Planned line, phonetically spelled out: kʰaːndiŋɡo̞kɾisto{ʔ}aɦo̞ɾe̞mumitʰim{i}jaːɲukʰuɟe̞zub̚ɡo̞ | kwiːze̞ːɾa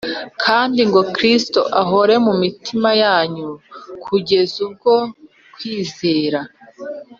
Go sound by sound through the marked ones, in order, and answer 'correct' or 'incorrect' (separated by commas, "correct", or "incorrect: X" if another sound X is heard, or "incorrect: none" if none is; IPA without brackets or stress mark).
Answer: correct, incorrect: a